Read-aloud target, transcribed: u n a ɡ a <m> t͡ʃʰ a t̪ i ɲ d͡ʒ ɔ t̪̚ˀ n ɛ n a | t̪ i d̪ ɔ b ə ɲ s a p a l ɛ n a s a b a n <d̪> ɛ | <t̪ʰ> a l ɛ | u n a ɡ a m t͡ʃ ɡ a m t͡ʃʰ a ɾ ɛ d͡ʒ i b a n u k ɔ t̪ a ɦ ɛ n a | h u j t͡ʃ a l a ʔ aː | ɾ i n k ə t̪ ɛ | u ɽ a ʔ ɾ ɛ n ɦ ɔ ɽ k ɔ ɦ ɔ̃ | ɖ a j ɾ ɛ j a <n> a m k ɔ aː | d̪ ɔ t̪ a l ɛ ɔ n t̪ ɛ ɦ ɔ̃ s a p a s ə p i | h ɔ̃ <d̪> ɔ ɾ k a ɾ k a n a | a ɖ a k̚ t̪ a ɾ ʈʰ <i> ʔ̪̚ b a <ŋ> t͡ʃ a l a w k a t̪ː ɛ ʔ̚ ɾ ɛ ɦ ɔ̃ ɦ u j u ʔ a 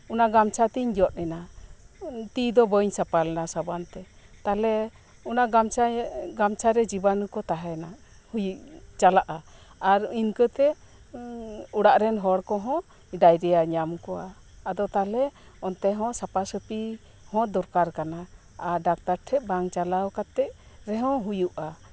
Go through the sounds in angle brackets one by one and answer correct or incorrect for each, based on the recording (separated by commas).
correct, incorrect, incorrect, incorrect, correct, incorrect, correct